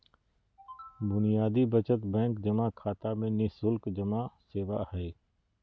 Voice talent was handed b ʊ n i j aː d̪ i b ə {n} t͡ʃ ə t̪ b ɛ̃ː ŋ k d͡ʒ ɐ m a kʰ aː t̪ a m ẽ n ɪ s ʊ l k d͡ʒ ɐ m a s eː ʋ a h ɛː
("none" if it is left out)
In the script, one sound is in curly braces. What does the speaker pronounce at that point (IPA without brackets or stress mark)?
none